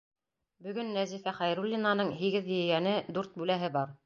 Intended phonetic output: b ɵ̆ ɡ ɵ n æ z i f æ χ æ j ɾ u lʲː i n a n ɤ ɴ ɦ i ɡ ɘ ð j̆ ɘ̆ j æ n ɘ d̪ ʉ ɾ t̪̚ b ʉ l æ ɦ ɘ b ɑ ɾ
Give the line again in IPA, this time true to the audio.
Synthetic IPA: b ɵ̆ ɡ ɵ nː æ z i f æ χ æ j ɾ u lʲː i n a n ɤ ɴ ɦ i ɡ ɘ ð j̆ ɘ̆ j æ n ɘ d̪ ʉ ɾ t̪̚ b ʉ l æ ɦ ɘ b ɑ ɾ

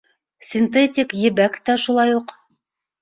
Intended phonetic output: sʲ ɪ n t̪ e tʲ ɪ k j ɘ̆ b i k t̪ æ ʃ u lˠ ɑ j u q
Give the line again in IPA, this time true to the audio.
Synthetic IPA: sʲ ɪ n t̪ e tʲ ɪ k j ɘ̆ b æ k t̪ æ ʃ u lˠ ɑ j u q

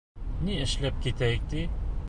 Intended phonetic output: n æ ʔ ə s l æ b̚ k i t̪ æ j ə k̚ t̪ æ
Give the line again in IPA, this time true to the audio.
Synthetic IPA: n i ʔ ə ʃ l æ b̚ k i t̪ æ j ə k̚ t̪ i

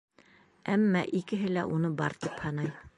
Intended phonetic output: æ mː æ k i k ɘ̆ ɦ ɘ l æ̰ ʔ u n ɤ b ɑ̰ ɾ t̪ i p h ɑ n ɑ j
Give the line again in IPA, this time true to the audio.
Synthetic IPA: æ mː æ ʔ i k ɘ̆ ɦ ɘ l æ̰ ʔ u n ɤ b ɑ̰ ɾ t̪ i p h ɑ n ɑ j

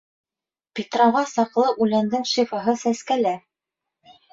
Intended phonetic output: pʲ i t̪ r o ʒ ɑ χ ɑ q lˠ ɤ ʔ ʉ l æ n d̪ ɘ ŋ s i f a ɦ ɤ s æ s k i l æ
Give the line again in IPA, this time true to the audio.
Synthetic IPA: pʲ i t̪ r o ʁ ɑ s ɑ q lˠ ɤ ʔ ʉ l æ n d̪ ɘ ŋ ʃ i f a ɦ ɤ s æ s k æ l æ

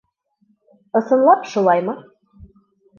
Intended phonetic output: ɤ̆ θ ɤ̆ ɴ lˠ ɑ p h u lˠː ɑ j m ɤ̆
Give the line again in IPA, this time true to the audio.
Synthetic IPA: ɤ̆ s ɤ̆ n lˠ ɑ p ʃ u lˠ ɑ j m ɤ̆

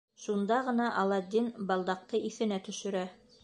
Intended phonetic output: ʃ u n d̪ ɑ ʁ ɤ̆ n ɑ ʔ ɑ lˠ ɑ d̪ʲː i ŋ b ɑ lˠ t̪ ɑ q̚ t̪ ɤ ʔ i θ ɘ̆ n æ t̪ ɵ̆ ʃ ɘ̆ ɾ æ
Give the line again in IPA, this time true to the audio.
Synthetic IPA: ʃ u n d̪ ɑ ʁ ɤ̆ n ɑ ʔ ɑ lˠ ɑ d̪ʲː i n b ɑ lˠ d̪ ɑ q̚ t̪ ɤ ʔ i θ ɘ̆ n æ t̪ ɵ̆ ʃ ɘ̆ ɾ æ

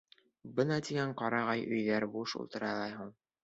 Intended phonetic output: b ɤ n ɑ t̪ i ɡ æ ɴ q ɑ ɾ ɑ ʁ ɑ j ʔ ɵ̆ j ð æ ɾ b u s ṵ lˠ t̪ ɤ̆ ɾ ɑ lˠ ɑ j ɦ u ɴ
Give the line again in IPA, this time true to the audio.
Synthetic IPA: b ɤ n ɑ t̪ i ɡ æ ɴ q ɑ ɾ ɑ ʁ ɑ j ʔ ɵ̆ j ð æ ɾ b u ʃ ṵ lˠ t̪ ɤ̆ ɾ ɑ lˠ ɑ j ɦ u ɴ

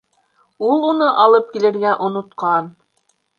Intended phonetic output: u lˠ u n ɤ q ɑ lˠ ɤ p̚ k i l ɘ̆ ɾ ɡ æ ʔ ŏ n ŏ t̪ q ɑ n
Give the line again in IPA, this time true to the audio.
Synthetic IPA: u lˠ u n ɤ ʔ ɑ lˠ ɤ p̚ k i l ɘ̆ ɾ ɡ æ ʔ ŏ n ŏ t̪ q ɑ n

